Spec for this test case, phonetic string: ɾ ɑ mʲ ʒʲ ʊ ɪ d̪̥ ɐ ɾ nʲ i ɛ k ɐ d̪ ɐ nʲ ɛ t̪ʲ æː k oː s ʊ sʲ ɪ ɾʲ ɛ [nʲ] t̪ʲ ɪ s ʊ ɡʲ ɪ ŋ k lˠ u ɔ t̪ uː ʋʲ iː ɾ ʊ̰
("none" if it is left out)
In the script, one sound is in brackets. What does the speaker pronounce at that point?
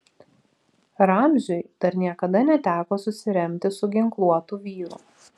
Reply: mʲ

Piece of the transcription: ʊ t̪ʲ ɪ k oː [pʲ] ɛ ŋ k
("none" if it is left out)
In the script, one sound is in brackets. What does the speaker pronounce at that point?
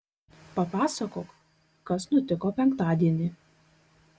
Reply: pʲ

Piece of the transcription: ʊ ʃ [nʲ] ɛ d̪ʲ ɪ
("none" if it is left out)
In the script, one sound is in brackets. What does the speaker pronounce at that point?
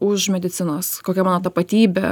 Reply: mʲ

